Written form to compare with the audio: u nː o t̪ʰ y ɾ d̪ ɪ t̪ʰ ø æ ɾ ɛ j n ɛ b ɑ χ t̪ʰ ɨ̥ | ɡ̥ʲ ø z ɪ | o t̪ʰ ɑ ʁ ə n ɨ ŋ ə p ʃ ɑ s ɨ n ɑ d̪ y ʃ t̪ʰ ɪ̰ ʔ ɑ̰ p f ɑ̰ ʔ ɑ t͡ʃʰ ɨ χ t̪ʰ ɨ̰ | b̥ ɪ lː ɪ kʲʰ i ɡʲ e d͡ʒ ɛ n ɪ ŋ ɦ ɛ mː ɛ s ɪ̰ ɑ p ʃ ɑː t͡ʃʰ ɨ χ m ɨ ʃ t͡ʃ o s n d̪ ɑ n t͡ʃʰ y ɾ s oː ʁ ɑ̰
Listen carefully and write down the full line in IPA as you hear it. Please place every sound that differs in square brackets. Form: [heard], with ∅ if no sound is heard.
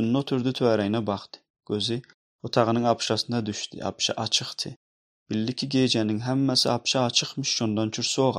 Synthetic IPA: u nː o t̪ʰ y ɾ d̪ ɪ t̪ʰ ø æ ɾ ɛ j n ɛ b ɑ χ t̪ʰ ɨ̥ | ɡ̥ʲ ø z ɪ | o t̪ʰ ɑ ʁ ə n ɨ ŋ [ɑ] p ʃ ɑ s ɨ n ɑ d̪ y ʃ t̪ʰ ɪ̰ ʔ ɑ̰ p [ʃ] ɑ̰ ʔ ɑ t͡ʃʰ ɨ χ t̪ʰ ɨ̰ | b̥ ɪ lː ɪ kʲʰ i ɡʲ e d͡ʒ ɛ n ɪ ŋ ɦ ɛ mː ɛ s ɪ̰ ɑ p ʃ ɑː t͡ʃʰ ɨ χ m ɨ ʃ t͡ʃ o [∅] n d̪ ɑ n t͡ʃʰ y ɾ s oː ʁ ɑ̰